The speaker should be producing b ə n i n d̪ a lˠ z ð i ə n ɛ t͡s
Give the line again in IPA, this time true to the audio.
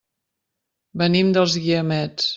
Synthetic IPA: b ə n i m d̪ ə lˠ z ɣ i ə m ɛ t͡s